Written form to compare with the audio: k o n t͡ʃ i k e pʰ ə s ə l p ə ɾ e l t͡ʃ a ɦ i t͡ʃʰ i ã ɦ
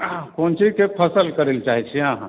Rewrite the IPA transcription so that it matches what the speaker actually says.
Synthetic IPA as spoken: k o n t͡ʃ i k e pʰ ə s ə l k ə ɾ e l t͡ʃ a ɦ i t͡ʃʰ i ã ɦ